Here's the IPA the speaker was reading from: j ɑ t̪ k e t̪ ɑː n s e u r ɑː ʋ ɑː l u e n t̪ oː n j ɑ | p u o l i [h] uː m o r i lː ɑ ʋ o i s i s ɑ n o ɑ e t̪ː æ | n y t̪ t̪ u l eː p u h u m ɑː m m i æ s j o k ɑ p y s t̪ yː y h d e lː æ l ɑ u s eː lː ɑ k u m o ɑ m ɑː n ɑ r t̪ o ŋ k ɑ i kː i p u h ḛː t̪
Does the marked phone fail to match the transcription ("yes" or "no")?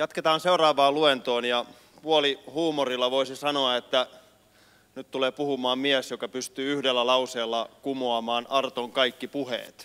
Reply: no